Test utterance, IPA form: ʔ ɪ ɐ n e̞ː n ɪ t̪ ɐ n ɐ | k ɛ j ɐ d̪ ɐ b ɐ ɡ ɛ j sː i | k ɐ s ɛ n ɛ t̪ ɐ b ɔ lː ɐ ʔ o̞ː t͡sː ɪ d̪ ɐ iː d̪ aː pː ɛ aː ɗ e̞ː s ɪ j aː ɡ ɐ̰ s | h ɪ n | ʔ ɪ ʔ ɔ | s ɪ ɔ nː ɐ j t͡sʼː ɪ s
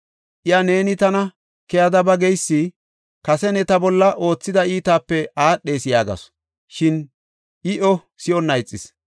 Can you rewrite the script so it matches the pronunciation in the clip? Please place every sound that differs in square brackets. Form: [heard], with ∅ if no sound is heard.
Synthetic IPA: ʔ ɪ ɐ n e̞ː n ɪ t̪ ɐ n ɐ | k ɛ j ɐ d̪ ɐ b ɐ ɡ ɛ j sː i | k ɐ s ɛ n ɛ t̪ ɐ b ɔ lː ɐ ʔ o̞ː t͡sː ɪ d̪ ɐ iː [t̪] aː pː ɛ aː ɗ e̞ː s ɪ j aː ɡ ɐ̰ s | [ʃ] ɪ n | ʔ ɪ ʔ ɔ | s ɪ ɔ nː ɐ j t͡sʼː ɪ s